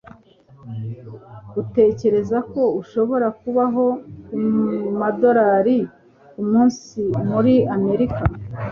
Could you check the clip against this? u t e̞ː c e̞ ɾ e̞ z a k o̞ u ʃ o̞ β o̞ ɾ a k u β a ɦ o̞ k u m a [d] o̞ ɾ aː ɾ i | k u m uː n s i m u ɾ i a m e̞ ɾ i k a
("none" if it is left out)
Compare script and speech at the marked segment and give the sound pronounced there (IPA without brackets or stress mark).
d